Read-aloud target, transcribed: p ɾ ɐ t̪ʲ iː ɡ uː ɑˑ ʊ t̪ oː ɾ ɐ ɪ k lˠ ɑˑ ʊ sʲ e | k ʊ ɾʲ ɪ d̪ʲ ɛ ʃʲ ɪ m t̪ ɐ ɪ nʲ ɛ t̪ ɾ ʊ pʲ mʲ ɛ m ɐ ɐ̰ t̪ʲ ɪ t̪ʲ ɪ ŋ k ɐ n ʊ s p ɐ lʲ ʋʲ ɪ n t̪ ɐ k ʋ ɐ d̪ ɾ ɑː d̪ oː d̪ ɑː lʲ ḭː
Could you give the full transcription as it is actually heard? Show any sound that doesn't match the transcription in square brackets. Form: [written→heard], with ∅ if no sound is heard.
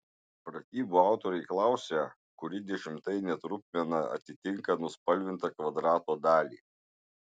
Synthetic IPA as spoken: p ɾ ɐ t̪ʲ iː [ɡ→b] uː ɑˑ ʊ t̪ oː ɾ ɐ ɪ k lˠ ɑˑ ʊ sʲ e | k ʊ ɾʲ ɪ d̪ʲ ɛ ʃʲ ɪ m t̪ ɐ ɪ nʲ ɛ t̪ ɾ ʊ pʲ mʲ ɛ [m→n] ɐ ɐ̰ t̪ʲ ɪ t̪ʲ ɪ ŋ k ɐ n ʊ s p ɐ lʲ ʋʲ ɪ n t̪ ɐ k ʋ ɐ d̪ ɾ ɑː [d̪→t̪] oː d̪ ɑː lʲ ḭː